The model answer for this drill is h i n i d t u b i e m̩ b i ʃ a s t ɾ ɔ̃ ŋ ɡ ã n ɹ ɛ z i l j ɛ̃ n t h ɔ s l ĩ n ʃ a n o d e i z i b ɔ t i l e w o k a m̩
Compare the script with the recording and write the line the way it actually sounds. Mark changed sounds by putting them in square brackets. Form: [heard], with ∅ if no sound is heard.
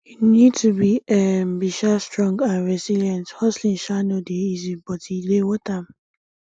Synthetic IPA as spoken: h i n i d t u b i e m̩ b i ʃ a s t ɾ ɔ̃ ŋ ɡ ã n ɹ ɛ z i l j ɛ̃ n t h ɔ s l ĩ n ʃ a n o d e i z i b ɔ t i l e w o [t] a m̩